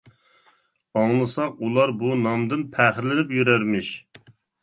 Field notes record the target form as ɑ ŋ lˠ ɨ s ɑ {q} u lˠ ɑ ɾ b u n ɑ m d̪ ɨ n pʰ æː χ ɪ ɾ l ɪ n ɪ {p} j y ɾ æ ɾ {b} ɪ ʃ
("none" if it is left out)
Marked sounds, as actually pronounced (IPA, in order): q, p, m

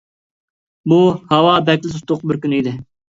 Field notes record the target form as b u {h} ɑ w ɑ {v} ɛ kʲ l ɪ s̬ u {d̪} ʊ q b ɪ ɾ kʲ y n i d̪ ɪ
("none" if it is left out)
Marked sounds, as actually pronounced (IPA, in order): h, b, t̪

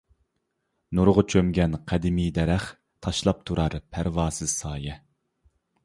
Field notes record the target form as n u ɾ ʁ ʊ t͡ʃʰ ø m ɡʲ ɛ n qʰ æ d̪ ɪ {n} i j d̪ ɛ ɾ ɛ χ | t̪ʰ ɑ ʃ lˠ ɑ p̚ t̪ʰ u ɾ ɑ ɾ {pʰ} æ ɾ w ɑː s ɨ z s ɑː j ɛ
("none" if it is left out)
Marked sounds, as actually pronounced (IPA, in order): m, pʰ

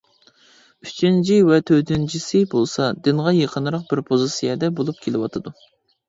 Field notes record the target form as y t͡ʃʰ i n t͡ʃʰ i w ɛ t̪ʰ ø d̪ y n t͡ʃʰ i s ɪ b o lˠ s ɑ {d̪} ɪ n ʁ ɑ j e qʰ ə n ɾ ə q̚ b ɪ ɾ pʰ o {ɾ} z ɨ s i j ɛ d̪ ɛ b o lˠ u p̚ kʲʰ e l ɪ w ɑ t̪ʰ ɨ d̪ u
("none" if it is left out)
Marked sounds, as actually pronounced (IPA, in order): d̪, none

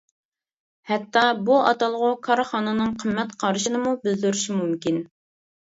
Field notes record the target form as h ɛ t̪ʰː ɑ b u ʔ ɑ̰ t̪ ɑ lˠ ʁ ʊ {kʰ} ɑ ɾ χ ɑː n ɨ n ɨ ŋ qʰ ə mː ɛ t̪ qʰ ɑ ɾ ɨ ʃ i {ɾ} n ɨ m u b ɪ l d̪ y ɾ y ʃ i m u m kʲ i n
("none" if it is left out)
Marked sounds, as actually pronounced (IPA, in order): kʰ, none

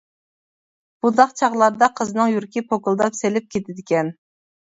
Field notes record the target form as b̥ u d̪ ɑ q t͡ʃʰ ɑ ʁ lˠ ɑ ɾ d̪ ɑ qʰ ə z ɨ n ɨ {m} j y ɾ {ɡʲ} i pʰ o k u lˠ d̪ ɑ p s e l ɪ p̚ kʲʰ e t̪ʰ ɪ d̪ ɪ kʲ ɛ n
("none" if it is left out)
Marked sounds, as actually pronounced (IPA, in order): ŋ, kʲ

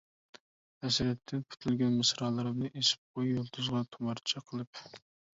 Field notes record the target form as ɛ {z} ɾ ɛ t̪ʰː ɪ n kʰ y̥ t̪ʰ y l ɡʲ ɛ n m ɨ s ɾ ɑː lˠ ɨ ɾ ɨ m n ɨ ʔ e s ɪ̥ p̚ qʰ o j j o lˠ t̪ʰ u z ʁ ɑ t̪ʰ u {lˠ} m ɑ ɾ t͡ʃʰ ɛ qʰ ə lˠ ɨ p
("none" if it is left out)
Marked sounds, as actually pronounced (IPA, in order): s, none

